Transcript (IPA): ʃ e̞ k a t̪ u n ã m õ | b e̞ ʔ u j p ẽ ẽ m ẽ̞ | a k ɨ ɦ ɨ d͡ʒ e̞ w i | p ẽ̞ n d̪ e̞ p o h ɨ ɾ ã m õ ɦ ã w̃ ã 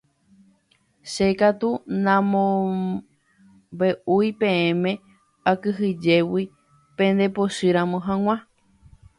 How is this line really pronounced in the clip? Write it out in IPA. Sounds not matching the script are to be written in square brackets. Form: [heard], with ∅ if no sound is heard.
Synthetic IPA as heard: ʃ e̞ k a t̪ u n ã m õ | b e̞ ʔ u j p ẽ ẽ m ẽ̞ | a k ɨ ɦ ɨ d͡ʒ e̞ w i | p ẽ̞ n d̪ e̞ p o [ʃ] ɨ ɾ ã m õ ɦ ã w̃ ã